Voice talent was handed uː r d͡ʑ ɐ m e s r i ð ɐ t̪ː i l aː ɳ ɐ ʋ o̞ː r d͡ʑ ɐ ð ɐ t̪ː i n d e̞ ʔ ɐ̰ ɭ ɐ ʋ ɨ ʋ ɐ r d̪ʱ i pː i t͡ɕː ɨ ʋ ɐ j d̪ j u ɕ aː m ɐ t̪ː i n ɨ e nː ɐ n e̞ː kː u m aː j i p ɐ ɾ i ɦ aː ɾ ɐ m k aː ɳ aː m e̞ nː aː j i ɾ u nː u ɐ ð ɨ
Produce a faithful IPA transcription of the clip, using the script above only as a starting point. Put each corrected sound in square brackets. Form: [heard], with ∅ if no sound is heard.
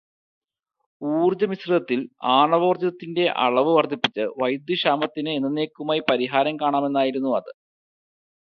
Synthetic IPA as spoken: uː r d͡ʑ ɐ m [i] s r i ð ɐ t̪ː i l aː ɳ ɐ ʋ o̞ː r d͡ʑ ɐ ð ɐ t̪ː i n d e̞ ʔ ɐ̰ ɭ ɐ ʋ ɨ ʋ ɐ r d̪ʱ i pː i t͡ɕː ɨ ʋ ɐ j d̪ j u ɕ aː m ɐ t̪ː i n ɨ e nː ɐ n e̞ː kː u m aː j i p ɐ ɾ i ɦ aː ɾ ɐ m k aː ɳ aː m e̞ nː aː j i ɾ u nː u ɐ ð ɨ